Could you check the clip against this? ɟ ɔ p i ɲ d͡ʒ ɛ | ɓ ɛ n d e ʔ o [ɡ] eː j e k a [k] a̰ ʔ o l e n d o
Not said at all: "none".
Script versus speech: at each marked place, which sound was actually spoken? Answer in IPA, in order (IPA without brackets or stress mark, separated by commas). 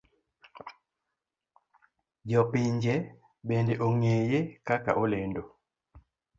ŋ, k